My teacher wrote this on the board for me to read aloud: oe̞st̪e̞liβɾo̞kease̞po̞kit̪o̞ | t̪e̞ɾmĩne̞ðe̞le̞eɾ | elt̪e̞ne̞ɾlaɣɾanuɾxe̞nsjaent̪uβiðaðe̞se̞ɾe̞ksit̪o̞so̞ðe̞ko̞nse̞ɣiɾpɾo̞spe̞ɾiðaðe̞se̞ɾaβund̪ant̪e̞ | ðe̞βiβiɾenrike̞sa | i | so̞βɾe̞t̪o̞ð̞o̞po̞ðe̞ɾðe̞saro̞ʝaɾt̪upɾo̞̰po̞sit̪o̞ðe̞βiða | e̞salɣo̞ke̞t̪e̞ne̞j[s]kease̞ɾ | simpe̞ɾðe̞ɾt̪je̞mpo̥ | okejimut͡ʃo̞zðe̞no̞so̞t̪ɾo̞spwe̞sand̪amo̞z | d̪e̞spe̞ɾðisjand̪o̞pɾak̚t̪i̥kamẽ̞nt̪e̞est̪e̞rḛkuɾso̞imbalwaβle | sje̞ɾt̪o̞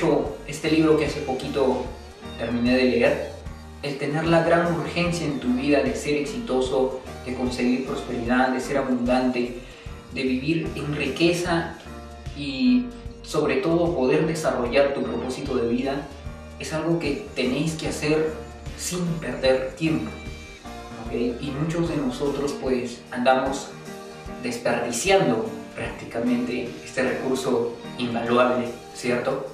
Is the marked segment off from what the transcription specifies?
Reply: no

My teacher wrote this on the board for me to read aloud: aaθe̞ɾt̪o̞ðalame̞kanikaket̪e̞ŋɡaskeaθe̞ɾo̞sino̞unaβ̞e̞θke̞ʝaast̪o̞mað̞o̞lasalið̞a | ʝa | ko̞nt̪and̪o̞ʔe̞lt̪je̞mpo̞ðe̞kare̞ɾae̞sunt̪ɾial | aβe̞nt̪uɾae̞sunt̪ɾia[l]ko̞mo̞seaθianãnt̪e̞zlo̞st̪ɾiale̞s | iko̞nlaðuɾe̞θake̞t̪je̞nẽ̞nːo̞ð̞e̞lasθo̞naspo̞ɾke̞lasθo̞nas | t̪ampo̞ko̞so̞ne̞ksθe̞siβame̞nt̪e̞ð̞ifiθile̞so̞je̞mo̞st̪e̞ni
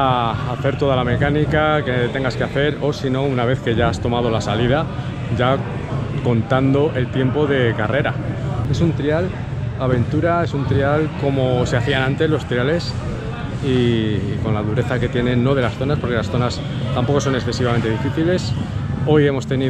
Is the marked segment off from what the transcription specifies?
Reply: no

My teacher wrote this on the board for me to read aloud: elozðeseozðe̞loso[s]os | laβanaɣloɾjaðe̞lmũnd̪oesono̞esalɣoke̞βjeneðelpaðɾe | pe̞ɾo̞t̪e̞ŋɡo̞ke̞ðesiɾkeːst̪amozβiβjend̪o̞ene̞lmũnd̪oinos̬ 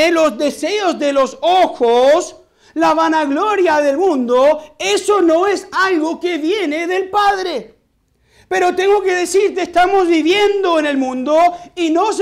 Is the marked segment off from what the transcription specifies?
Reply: yes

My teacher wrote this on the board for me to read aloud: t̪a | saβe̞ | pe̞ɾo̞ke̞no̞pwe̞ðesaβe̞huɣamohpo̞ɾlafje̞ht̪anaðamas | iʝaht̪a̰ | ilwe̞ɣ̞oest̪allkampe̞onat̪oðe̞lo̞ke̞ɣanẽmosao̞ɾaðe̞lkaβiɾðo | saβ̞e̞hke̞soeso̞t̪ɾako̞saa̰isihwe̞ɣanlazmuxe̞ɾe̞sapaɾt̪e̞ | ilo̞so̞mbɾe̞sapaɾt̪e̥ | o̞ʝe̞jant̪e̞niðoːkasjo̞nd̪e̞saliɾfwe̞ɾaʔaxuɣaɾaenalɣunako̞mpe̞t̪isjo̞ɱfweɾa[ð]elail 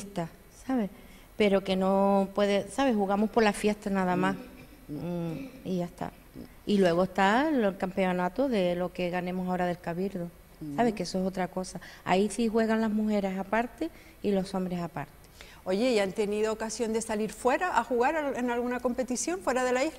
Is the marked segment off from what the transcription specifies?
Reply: no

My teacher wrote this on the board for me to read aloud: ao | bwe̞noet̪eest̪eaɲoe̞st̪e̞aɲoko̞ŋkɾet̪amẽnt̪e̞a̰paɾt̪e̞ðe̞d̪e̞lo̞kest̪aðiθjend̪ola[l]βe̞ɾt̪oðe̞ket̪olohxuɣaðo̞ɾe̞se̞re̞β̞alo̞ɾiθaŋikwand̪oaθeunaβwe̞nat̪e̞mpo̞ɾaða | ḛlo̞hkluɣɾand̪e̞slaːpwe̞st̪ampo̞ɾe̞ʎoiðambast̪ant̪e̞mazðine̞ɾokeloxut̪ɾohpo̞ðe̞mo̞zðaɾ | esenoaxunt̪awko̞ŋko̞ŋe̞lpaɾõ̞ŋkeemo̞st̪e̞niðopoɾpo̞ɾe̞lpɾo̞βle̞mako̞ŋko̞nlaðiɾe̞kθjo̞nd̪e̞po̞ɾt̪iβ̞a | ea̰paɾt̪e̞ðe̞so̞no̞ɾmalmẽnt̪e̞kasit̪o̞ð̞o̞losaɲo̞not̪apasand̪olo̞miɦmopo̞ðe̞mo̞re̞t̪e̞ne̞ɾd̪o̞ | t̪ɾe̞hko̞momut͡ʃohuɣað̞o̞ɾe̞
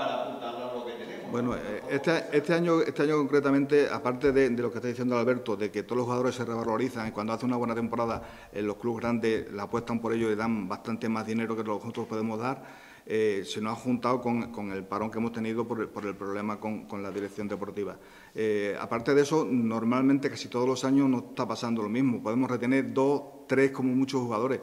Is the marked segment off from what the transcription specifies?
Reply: no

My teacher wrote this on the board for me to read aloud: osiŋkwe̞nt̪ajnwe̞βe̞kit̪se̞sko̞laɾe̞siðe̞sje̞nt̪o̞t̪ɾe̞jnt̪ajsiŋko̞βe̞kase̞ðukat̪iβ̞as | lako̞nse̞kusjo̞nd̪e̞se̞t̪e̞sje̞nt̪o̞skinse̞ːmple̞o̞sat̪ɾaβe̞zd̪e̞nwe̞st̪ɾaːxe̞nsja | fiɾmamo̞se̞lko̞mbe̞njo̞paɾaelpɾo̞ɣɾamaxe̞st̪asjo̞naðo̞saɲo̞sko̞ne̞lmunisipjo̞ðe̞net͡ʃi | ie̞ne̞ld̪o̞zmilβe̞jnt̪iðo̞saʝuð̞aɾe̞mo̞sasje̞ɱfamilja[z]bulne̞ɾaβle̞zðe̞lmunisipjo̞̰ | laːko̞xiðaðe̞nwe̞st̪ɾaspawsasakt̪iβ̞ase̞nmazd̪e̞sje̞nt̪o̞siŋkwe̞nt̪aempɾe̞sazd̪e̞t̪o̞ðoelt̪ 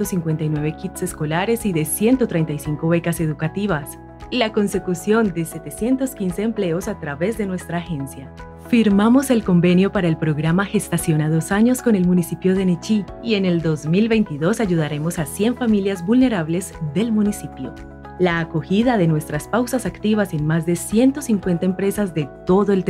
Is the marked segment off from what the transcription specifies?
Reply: no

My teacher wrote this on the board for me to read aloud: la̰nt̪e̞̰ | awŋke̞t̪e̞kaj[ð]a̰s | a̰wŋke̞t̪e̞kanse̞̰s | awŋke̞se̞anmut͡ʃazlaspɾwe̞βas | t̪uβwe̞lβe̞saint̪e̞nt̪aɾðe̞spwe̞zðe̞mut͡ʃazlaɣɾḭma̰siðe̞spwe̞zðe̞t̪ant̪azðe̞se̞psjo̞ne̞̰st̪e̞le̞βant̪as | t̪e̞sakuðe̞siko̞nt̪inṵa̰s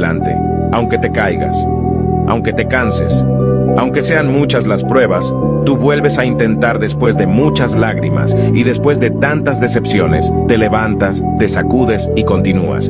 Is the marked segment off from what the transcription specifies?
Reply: yes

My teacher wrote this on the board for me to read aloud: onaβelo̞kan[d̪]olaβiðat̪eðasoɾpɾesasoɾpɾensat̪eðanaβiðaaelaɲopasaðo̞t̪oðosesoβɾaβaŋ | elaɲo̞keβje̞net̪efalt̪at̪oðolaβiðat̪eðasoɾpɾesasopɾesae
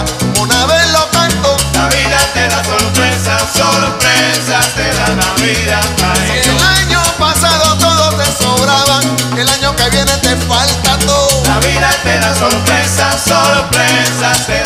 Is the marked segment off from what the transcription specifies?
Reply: yes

